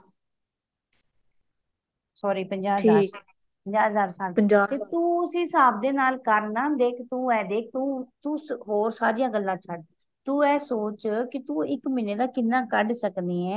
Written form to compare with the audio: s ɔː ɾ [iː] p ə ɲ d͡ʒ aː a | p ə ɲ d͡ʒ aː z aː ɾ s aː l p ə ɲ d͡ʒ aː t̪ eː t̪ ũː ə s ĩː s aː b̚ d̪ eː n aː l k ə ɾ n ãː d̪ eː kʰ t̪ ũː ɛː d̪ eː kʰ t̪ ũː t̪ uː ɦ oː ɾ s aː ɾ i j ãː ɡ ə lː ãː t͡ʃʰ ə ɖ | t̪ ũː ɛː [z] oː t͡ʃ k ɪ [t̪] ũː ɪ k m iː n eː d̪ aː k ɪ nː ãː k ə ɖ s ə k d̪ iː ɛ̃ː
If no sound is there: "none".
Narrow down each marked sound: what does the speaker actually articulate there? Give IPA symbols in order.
iː, s, t̪

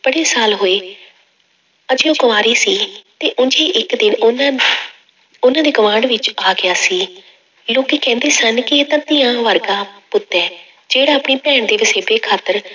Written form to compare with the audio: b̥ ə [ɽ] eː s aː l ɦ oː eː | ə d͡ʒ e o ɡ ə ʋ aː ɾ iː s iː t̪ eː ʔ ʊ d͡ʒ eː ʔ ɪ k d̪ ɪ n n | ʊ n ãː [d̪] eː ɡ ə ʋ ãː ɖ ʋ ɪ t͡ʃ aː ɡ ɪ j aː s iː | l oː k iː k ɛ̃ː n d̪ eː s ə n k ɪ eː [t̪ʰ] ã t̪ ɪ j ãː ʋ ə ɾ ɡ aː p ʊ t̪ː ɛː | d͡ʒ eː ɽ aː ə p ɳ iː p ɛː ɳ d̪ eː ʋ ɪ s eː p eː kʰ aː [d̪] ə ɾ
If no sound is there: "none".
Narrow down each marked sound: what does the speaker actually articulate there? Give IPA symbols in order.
ɽ, d̪, t̪, t̪

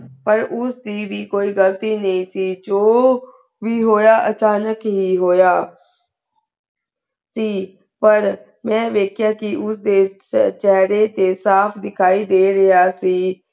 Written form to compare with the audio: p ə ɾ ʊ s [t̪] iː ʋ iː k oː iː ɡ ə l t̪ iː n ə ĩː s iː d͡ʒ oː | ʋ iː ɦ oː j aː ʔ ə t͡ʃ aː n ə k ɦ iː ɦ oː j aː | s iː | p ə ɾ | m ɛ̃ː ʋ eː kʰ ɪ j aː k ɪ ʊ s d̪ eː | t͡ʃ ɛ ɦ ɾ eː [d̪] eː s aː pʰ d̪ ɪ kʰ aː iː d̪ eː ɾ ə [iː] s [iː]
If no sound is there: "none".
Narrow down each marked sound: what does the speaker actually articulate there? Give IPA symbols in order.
d̪, t̪, aː, iː

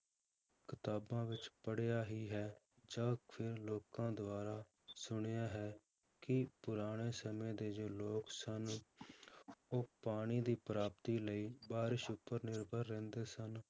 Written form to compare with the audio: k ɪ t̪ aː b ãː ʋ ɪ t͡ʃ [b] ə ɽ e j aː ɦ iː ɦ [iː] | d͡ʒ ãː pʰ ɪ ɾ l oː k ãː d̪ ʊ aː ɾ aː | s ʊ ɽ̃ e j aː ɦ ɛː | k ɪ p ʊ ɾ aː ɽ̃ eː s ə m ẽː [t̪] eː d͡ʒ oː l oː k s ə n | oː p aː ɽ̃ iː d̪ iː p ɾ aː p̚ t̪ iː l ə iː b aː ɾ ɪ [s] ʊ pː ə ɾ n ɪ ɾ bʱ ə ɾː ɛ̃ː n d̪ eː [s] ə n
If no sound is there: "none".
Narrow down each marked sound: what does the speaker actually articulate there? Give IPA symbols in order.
p, ɛː, d̪, ʃ, s

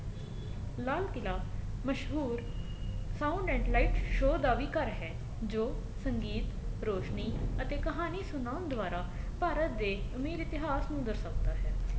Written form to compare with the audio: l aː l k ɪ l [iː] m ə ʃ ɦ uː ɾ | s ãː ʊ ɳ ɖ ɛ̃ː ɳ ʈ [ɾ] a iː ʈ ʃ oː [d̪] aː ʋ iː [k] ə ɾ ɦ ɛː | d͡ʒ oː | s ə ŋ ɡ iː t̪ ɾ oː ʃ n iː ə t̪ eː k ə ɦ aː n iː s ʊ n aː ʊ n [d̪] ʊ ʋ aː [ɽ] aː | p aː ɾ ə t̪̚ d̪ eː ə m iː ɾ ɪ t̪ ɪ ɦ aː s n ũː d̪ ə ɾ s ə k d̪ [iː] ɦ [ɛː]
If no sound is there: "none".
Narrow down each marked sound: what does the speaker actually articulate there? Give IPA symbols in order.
aː, l, d̪, k, d̪, ɾ, aː, ɛː

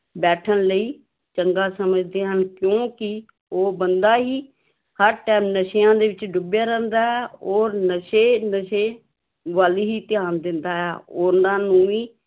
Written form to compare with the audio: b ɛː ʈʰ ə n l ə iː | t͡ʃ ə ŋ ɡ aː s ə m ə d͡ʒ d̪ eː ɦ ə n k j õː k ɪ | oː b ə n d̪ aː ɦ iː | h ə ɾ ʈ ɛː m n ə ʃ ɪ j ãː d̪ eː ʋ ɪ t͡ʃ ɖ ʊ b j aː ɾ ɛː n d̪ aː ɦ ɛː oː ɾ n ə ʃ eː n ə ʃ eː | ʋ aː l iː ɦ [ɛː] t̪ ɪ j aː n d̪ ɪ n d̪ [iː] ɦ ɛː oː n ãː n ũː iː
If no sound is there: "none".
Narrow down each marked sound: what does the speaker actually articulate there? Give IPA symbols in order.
iː, aː

